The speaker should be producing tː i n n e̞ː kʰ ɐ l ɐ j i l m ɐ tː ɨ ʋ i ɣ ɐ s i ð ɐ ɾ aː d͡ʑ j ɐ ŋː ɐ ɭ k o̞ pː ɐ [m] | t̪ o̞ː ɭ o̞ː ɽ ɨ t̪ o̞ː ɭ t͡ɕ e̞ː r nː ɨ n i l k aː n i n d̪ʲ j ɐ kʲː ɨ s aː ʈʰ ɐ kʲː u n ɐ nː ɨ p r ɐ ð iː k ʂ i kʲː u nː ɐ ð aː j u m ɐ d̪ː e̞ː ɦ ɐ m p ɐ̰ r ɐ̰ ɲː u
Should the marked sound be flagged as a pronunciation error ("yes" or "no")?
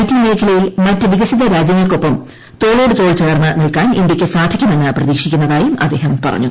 no